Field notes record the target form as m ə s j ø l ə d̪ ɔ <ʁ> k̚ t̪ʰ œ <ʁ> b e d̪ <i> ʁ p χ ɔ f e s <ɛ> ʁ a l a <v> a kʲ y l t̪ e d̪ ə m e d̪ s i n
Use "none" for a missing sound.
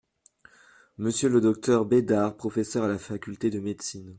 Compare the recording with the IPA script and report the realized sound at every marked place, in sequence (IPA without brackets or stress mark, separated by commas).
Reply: none, ʁ, a, œ, f